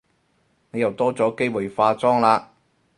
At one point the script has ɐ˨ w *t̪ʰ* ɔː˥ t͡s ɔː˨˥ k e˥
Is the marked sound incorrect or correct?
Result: incorrect: t̪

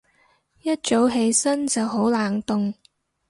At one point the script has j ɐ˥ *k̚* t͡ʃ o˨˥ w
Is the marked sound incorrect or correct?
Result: incorrect: t̚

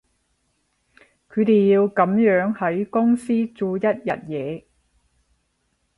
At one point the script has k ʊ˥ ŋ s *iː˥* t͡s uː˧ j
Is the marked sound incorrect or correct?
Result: correct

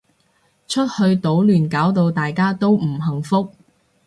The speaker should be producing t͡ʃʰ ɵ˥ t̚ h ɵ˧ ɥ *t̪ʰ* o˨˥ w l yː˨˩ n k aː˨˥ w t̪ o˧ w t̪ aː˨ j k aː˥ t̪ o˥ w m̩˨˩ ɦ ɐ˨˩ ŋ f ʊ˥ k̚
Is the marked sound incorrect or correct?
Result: incorrect: t̪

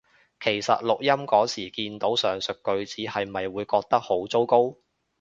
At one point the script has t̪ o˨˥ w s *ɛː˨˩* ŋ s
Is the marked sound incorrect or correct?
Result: incorrect: œː˨˩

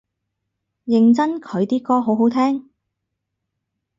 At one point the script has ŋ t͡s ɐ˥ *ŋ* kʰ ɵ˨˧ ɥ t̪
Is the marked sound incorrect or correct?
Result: incorrect: n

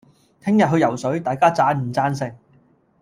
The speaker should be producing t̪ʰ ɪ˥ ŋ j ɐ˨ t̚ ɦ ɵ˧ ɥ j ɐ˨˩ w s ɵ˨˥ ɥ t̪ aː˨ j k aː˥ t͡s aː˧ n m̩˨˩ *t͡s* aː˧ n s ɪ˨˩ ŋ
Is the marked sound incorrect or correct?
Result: correct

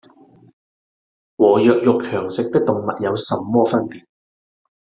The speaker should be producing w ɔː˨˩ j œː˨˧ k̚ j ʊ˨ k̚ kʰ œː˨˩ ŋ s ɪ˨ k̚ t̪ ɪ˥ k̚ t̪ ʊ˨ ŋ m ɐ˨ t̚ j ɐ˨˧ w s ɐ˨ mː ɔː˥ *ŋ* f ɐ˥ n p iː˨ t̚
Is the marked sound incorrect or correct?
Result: incorrect: none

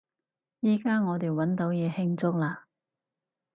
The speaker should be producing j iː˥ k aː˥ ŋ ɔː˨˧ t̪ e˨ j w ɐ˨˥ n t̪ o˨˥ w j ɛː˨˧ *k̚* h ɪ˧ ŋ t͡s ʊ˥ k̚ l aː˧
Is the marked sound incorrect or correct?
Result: incorrect: none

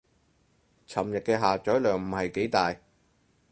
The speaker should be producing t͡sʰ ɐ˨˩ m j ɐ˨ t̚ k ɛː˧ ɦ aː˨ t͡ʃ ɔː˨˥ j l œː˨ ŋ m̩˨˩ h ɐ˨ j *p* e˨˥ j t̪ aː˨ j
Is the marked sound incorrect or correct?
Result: incorrect: k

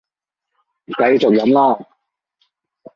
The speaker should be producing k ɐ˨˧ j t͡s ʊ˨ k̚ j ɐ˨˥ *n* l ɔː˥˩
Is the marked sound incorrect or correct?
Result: incorrect: m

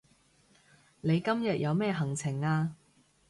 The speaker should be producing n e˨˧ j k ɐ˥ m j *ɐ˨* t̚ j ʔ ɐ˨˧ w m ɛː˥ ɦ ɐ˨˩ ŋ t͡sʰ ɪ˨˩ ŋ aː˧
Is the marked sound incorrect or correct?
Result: correct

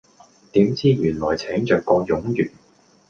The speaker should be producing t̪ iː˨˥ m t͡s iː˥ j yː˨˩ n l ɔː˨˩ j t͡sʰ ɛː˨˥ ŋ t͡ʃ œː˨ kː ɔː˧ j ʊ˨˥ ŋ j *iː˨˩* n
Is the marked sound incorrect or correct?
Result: incorrect: yː˨˩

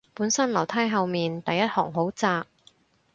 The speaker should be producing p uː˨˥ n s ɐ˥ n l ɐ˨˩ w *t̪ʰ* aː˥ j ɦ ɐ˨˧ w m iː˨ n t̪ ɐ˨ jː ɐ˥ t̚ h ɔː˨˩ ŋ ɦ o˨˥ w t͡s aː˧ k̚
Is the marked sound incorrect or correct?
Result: correct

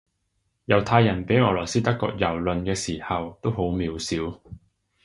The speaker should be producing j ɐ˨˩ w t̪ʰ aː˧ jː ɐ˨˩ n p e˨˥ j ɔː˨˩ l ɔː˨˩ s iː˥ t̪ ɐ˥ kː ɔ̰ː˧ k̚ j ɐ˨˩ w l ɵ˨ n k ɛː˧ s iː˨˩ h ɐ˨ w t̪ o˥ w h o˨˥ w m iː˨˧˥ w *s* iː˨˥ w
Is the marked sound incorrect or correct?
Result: correct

